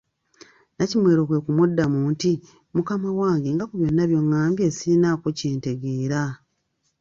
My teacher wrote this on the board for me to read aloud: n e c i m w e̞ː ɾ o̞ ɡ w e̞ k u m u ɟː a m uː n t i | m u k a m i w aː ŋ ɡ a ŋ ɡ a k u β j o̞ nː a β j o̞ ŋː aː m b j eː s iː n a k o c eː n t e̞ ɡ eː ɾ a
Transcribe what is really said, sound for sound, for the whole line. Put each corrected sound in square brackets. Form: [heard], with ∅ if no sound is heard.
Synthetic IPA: n [a] c i m w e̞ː ɾ o̞ [k] w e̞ k u m u [dː] a m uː n t i | m u k a m [a] w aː ŋ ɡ [e] ŋ ɡ a k u β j o̞ nː a β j o̞ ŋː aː m b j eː s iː n a k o c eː n t e̞ ɡ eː ɾ a